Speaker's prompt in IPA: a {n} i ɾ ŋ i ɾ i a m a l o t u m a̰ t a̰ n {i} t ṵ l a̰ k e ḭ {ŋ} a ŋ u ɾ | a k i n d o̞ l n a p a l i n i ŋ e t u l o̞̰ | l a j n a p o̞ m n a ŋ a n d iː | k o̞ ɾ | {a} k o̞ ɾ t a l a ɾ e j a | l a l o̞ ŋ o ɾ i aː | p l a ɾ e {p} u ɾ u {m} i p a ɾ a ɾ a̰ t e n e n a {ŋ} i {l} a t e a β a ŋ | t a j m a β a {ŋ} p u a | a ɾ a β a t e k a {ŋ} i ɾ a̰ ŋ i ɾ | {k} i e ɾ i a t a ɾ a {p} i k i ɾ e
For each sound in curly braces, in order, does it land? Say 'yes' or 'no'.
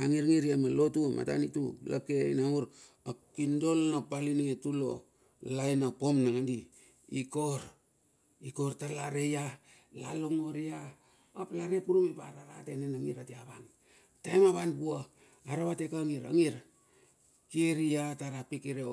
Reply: no, yes, no, no, yes, yes, yes, no, no, yes, yes, yes

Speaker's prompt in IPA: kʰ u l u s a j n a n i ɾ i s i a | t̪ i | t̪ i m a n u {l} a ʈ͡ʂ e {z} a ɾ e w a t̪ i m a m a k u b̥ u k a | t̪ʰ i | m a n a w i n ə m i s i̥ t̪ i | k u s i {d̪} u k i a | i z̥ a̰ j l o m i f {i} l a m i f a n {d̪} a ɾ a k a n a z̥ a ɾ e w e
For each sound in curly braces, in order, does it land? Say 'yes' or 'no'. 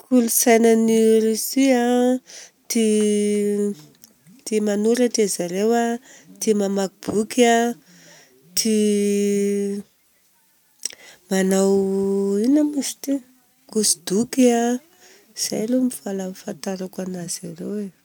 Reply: no, yes, yes, no, no

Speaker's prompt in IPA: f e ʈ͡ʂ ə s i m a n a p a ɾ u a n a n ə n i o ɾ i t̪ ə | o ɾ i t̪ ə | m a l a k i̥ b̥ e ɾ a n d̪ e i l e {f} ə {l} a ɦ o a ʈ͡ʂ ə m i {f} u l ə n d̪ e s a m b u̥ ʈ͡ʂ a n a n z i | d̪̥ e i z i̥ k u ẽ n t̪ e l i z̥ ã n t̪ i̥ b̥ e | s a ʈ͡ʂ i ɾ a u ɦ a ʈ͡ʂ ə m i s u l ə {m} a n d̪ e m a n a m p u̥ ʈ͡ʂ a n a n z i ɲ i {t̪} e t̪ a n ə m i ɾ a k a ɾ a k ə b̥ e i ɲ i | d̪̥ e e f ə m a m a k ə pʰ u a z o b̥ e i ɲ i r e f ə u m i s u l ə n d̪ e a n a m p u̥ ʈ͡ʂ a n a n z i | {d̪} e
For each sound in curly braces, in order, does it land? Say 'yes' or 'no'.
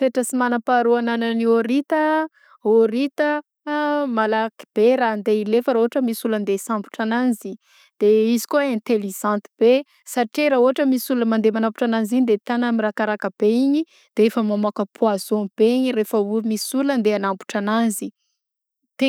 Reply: yes, no, no, yes, no, no

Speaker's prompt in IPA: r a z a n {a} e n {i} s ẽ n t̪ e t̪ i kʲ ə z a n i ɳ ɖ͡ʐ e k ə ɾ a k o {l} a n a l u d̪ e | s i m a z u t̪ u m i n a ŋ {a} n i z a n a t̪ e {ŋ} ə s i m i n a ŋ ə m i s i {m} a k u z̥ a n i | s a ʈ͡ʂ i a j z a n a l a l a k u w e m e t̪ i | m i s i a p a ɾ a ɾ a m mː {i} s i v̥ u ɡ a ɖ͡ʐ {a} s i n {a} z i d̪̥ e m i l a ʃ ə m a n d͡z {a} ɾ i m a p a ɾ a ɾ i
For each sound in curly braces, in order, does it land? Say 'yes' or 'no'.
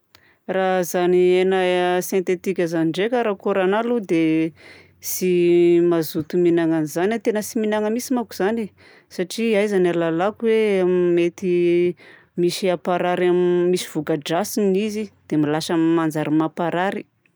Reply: no, no, no, yes, no, yes, yes, yes, no, yes

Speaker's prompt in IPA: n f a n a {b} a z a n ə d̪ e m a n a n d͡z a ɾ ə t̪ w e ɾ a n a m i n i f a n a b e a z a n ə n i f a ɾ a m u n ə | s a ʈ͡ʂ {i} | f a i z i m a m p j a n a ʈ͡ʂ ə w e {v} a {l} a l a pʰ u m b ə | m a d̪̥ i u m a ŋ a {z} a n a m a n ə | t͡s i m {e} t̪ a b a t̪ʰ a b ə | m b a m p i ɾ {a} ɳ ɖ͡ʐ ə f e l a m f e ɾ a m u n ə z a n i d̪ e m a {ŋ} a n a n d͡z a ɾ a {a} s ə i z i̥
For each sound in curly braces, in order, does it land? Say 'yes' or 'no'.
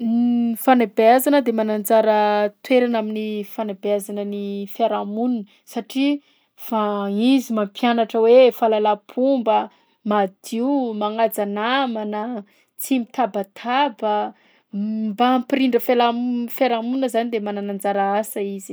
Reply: yes, yes, no, yes, no, no, no, no, yes

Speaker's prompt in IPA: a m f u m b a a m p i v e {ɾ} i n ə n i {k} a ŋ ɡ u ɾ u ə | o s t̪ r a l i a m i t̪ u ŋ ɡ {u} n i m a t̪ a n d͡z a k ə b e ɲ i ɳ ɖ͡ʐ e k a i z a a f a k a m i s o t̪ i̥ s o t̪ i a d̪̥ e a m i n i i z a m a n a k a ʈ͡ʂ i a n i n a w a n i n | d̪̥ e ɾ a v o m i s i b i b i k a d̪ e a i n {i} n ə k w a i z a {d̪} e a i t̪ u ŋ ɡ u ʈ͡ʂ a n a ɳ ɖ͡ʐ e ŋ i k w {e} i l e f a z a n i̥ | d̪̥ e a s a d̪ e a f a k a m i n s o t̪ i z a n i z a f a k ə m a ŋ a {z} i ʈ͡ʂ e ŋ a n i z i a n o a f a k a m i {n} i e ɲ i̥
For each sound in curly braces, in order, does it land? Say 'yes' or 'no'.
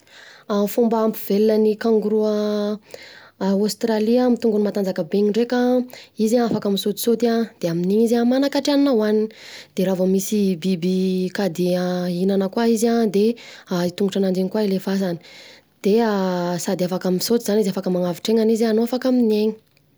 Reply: no, yes, yes, no, yes, no, no, yes

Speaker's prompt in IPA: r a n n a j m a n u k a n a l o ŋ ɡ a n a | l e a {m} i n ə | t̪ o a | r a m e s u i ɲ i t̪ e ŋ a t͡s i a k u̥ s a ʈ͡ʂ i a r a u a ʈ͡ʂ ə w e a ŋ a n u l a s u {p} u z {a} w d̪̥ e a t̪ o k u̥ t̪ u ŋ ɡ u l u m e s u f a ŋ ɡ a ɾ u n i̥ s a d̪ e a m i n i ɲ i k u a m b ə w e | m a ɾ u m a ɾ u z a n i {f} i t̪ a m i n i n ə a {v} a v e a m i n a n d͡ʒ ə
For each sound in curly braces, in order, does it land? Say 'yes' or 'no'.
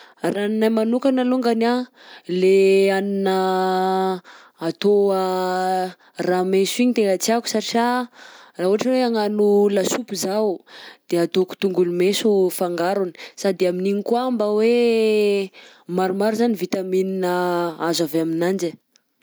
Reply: no, yes, yes, no, no

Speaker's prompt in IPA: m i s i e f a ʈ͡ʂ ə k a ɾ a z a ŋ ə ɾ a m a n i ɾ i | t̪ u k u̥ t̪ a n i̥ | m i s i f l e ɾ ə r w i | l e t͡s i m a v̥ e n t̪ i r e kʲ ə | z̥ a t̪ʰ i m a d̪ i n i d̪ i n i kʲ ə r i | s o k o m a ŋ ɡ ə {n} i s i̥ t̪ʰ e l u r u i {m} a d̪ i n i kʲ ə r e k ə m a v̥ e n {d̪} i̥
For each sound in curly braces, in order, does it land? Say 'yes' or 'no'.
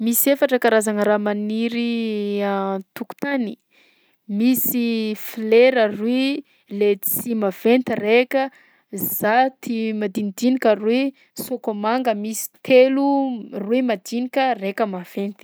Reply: no, yes, no

